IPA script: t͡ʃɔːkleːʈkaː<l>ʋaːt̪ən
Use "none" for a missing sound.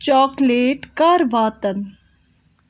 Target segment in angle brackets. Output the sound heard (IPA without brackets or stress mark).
ɾ